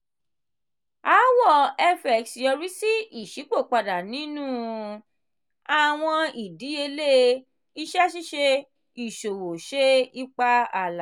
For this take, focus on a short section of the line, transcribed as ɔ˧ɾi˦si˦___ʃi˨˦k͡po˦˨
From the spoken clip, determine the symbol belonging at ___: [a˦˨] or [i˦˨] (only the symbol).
i˦˨